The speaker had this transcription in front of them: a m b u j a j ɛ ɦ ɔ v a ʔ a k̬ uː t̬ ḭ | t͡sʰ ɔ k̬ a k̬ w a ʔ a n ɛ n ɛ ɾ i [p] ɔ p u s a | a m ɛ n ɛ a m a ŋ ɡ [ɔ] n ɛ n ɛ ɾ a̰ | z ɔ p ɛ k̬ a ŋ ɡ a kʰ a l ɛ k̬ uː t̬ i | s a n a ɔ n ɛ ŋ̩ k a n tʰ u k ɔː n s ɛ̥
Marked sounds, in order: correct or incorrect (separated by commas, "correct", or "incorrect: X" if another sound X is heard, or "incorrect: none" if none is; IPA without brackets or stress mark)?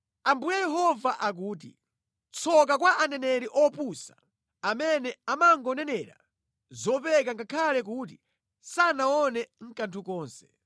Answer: incorrect: ʔ, correct